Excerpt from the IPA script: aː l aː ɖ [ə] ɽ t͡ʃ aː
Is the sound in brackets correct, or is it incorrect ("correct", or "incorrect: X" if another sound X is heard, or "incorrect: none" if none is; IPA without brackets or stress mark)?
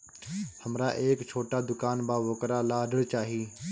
correct